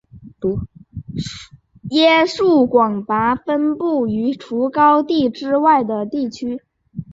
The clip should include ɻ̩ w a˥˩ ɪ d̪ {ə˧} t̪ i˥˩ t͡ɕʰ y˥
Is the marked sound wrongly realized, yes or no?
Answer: yes